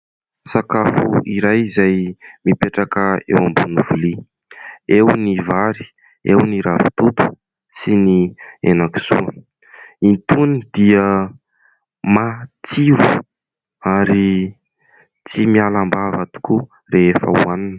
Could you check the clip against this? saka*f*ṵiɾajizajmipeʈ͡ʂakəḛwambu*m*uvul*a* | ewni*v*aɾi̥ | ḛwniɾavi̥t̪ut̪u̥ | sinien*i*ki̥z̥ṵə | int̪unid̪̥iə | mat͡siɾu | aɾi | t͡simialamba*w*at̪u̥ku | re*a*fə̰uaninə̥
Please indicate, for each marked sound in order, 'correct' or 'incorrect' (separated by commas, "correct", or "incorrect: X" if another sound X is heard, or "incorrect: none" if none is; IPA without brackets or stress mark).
correct, incorrect: n, incorrect: i, correct, incorrect: a, incorrect: v, incorrect: e